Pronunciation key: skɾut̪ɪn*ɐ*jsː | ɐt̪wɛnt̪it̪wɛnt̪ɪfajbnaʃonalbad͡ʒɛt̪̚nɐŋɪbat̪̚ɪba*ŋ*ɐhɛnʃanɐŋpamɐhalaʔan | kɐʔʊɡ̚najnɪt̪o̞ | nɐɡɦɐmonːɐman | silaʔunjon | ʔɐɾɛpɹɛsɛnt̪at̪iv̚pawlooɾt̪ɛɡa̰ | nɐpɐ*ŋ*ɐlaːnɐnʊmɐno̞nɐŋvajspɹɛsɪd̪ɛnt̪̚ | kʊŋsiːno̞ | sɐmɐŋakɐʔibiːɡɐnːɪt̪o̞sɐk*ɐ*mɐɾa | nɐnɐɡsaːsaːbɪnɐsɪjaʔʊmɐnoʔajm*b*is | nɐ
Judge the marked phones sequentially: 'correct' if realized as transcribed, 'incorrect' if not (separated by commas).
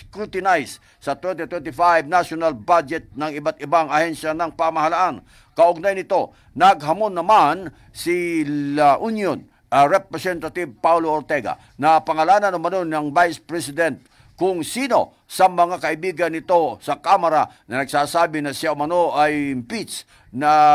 incorrect, correct, correct, incorrect, incorrect